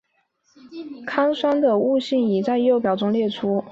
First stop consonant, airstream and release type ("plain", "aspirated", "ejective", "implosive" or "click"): aspirated